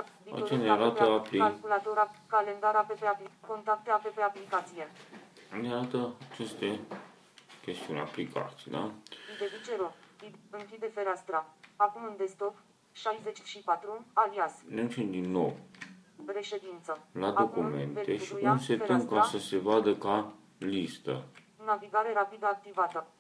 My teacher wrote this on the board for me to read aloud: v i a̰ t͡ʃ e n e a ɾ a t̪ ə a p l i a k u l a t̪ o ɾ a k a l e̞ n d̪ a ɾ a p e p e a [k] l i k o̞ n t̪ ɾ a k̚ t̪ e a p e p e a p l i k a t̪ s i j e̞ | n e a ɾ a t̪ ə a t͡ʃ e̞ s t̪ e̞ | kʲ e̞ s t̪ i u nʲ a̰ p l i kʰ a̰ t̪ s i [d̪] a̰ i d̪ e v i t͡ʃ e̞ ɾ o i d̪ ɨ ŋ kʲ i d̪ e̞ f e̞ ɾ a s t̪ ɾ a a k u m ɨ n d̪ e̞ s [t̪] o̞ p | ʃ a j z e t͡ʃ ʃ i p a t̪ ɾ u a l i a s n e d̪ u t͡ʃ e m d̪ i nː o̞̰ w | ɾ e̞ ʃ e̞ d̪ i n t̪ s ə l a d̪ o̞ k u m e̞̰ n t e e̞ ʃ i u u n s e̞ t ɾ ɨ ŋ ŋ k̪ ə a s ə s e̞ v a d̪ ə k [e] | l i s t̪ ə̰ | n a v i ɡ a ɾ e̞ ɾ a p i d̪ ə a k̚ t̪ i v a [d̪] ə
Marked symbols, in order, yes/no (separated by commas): no, yes, yes, no, no